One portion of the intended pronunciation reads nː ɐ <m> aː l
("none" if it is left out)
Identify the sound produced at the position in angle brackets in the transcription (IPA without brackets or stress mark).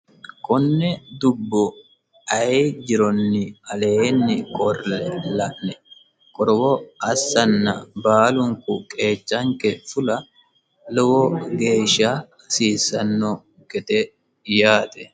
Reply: b